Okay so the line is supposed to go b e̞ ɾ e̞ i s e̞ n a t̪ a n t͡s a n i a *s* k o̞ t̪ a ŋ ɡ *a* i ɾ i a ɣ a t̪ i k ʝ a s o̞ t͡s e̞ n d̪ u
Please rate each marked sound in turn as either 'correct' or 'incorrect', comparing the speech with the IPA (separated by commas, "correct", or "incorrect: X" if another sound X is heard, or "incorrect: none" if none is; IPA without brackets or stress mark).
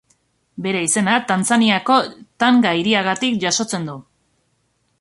incorrect: none, correct